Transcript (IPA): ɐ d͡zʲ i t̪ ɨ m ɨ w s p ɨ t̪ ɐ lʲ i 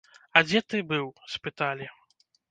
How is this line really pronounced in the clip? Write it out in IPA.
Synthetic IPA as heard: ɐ d͡zʲ ɛ t̪ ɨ b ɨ w s p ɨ t̪ a lʲ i